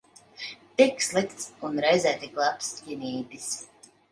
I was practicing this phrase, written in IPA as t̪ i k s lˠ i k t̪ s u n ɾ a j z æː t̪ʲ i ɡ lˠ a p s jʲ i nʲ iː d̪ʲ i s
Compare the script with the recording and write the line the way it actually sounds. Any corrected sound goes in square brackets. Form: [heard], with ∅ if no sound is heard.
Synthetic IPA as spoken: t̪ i k s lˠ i k t̪ s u n ɾ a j z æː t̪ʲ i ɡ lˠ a p s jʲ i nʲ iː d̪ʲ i s

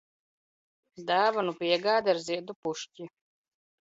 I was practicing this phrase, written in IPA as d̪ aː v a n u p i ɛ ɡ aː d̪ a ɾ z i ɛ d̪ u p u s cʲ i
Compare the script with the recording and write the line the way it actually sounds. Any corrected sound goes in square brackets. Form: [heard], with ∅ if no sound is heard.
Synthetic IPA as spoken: d̪ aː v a n u p i ɛ ɡ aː d̪ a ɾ z i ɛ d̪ u p u [ʃ] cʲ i

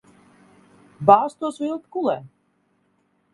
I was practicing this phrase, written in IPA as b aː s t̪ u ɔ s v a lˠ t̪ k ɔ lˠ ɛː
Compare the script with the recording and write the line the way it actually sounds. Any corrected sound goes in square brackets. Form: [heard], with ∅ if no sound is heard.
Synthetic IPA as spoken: b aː s t̪ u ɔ s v [i] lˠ t̪ k [u] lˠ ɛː

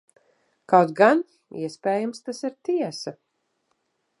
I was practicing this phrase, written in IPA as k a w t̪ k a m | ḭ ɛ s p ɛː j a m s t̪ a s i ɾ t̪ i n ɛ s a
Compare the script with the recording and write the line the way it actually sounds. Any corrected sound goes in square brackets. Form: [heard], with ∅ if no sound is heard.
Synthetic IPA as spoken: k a w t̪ [ɡ] a [n] | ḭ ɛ s p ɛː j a m s t̪ a s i ɾ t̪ i [∅] ɛ s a

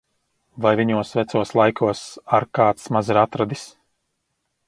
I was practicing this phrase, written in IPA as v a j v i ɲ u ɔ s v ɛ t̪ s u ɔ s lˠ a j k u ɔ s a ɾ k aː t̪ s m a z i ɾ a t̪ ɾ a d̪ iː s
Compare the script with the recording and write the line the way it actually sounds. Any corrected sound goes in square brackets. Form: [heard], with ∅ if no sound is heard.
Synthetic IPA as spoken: v a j v i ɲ u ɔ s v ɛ t̪ s u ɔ s lˠ a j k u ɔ s a ɾ k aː t̪ s m a z i ɾ a t̪ ɾ a d̪ [i] s

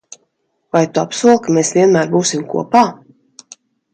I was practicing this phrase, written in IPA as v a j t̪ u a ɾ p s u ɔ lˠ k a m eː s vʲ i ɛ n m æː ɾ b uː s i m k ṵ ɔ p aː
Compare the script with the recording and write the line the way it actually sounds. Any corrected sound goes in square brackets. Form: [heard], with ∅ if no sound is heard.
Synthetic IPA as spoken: v a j t̪ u a [∅] p s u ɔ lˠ k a m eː s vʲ i ɛ n m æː ɾ b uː s i m k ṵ ɔ p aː

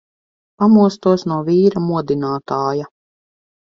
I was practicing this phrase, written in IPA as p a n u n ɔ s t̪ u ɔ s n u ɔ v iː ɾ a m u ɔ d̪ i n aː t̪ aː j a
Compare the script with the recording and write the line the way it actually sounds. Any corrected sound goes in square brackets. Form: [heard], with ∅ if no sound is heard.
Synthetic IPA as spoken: p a [m] u [∅] ɔ s t̪ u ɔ s n u ɔ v iː ɾ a m u ɔ d̪ i n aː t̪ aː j a

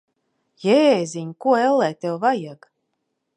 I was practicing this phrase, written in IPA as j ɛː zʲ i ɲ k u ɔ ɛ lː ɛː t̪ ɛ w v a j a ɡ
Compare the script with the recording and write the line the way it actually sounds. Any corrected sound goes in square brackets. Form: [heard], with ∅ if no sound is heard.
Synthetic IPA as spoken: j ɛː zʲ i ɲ k u ɔ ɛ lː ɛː t̪ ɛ w v a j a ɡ

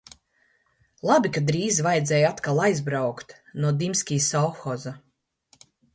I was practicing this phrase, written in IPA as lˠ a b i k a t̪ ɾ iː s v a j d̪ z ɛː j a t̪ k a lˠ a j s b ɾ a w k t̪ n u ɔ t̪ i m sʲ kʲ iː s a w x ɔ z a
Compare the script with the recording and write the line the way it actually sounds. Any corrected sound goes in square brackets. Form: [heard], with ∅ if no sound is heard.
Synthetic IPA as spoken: lˠ a b i k a [d̪] ɾ iː [z] v a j d̪ z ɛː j a t̪ k a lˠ a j [z] b ɾ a w k t̪ n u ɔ [d̪] i m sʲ kʲ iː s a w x ɔ z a

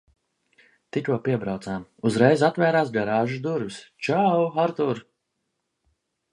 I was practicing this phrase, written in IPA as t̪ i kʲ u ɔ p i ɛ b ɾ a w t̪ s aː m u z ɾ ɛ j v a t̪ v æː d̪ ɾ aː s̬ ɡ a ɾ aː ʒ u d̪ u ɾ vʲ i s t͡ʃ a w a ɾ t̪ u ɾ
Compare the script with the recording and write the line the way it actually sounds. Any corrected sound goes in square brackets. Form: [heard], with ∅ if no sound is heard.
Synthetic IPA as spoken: t̪ i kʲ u ɔ p i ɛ b ɾ a w t̪ s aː m u z ɾ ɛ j [z] a t̪ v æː [∅] ɾ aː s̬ ɡ a ɾ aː ʒ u d̪ u ɾ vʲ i s t͡ʃ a w a ɾ t̪ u ɾ

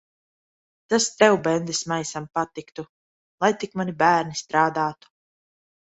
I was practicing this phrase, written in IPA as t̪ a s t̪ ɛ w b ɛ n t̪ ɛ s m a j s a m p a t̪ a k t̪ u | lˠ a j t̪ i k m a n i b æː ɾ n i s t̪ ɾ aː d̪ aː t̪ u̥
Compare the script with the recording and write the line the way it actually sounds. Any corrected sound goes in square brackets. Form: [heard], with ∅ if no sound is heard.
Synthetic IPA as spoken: t̪ a s t̪ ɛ w b ɛ n [d̪] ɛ s m a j s a m p a t̪ [i] k t̪ u | lˠ a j t̪ i k m a n i b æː ɾ n i s t̪ ɾ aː d̪ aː t̪ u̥

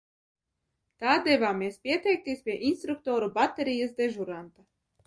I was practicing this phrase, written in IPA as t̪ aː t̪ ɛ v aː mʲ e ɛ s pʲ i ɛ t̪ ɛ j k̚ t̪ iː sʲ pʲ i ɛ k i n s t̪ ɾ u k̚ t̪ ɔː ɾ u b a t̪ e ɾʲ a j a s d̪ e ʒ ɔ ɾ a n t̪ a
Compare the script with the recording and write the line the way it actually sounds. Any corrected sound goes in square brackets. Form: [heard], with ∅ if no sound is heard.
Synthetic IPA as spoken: t̪ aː [d̪] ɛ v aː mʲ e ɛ s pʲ i ɛ t̪ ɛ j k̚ t̪ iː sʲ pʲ i ɛ [ʔ] i n s t̪ ɾ u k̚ t̪ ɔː ɾ u b a t̪ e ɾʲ [i] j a s d̪ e ʒ [u] ɾ a n t̪ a

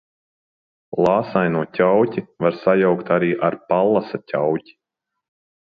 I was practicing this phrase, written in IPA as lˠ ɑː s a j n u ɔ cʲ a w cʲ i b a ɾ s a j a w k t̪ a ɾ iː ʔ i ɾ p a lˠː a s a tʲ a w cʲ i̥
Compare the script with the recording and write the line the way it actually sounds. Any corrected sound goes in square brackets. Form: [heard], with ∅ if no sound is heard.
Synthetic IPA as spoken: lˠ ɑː s a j n u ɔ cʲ a w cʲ i [v] a ɾ s a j a w k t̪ a ɾ iː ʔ [a] ɾ p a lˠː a s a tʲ a w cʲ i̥

